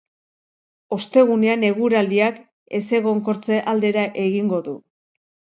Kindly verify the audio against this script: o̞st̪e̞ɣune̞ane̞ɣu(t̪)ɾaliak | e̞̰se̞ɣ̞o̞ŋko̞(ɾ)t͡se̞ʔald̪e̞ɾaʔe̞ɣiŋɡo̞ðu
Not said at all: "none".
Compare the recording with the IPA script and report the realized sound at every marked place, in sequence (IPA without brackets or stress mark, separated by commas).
none, ɾ